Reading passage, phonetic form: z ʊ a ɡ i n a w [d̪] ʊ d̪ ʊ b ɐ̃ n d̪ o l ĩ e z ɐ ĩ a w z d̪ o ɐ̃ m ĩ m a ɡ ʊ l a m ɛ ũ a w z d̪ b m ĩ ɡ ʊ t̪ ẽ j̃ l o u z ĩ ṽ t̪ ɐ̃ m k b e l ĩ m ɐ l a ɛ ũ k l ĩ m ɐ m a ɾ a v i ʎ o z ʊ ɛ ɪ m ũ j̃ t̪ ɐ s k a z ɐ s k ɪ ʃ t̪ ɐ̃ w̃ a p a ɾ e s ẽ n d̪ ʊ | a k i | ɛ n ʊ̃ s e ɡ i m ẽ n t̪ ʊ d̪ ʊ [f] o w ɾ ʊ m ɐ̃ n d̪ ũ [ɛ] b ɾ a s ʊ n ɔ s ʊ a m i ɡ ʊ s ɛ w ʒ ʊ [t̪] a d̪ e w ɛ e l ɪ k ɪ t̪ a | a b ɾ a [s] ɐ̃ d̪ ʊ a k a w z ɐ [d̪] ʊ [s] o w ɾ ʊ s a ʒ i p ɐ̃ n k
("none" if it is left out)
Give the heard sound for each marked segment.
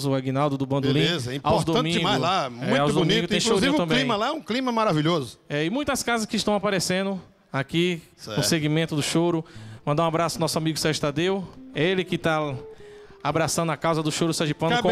d̪, ʃ, a, t̪, s, d̪, ʃ

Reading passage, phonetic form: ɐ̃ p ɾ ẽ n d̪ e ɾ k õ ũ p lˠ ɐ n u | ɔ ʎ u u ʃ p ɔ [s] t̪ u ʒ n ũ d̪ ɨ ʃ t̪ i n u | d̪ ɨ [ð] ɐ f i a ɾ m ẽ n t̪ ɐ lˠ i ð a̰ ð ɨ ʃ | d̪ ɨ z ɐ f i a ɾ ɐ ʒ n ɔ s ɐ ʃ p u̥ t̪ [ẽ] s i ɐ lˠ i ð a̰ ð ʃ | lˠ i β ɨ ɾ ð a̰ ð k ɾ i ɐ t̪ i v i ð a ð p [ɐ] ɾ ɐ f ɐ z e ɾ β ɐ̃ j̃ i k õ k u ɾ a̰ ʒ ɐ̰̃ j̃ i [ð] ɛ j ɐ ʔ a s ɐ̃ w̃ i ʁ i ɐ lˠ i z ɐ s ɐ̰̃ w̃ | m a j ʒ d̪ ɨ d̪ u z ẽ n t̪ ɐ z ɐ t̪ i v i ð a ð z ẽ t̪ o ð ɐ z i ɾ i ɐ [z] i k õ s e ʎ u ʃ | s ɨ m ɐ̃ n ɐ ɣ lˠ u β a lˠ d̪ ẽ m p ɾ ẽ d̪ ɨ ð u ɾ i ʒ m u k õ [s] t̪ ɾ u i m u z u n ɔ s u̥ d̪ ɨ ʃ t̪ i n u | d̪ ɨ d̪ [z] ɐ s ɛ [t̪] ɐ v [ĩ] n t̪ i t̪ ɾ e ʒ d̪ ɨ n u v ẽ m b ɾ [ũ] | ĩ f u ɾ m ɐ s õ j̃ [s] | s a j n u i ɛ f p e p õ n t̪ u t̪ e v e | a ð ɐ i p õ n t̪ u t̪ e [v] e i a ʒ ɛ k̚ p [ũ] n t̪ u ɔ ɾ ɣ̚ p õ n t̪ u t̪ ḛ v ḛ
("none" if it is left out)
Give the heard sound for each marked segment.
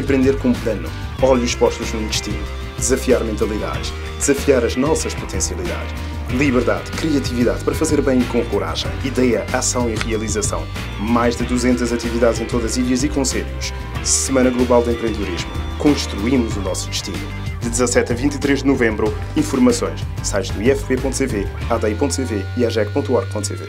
ʃ, z, ẽ, ɐ, ð, z, ʃ, z, t̪, ĩ, u, ʃ, v, õ

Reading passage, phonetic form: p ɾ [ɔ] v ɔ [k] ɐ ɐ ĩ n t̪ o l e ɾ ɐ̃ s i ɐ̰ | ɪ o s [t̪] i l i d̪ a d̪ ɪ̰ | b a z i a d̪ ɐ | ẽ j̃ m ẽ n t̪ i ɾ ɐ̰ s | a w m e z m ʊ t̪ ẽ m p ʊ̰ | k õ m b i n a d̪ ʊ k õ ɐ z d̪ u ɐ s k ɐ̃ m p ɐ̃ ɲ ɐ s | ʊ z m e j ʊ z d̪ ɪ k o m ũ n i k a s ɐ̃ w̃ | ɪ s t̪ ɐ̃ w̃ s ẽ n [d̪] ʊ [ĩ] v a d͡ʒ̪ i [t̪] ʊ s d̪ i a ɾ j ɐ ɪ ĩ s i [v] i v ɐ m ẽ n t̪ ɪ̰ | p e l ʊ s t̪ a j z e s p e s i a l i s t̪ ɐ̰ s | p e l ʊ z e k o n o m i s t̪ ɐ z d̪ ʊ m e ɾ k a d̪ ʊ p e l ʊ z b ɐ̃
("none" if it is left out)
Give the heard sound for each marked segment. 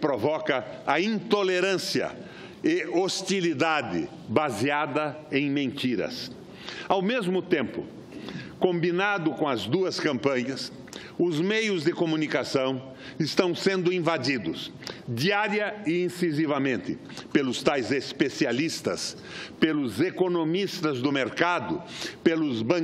o, k, t̪, d̪, ĩ, d̪, z

